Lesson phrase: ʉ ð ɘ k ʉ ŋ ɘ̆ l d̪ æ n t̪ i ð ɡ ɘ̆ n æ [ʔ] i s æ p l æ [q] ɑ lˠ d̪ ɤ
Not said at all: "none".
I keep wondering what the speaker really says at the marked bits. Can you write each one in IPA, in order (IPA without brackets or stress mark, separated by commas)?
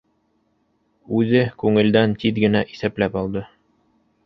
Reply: ʔ, p